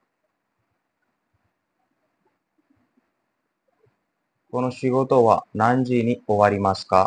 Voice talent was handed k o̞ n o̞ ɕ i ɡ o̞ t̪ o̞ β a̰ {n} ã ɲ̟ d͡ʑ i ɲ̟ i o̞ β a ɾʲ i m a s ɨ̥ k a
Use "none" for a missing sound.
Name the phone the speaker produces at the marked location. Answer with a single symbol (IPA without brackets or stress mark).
n